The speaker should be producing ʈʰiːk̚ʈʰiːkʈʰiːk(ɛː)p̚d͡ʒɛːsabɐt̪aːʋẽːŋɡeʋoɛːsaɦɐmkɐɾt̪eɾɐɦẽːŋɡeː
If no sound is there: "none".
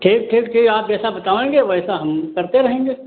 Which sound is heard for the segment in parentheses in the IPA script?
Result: aː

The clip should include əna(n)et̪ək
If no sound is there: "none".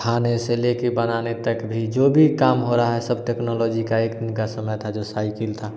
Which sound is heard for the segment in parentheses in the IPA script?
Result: n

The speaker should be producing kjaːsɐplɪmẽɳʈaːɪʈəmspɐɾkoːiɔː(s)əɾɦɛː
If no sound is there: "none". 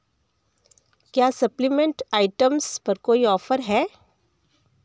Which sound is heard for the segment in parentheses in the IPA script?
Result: f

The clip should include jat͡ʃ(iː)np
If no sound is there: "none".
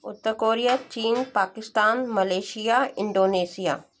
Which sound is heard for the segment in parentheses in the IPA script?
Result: iː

